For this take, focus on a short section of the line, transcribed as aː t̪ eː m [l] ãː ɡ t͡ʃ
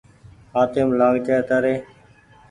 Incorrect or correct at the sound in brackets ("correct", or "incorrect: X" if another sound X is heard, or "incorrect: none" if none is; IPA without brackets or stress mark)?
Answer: correct